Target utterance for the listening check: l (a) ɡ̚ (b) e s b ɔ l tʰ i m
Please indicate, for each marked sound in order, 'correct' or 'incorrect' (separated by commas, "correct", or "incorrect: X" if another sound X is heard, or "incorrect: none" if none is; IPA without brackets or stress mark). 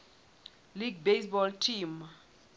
incorrect: i, correct